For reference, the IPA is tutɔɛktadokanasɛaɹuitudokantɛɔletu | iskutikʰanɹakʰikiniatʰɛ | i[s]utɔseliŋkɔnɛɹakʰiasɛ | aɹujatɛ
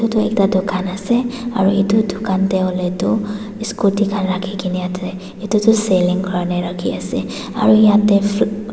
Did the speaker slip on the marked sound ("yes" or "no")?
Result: yes